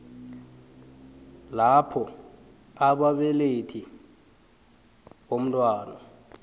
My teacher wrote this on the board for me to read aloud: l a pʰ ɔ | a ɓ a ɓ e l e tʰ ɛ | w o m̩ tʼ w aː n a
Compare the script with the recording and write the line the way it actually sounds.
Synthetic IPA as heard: l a pʰ ɔ | a ɓ a ɓ ɛ l e tʰ i | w o m̩ tʼ w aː n a